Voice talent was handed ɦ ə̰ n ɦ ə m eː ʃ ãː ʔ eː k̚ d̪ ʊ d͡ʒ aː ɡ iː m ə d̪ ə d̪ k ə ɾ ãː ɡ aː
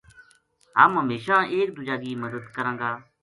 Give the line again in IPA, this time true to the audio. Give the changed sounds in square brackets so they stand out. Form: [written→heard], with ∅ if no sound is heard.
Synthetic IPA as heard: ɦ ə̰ [n→m] ɦ ə m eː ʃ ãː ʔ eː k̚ d̪ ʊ d͡ʒ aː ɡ iː m ə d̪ ə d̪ k ə ɾ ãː ɡ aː